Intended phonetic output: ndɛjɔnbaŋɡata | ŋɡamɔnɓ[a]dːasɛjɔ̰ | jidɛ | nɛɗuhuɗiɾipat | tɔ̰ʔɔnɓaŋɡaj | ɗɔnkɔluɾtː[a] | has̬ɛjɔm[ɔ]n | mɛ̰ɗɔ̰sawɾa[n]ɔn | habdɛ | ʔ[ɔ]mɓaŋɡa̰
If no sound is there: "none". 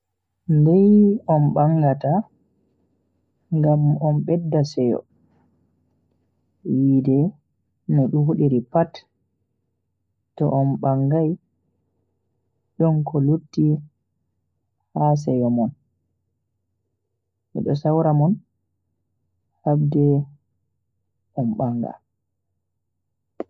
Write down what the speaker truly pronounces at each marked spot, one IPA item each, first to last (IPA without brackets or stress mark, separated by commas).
ɛ, i, ɔ, m, ɔ